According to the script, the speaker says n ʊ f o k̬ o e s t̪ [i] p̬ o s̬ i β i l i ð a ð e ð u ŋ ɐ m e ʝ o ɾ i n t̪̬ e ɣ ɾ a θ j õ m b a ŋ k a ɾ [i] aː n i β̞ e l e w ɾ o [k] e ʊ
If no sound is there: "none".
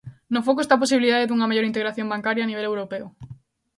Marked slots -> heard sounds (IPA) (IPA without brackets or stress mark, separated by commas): a, j, p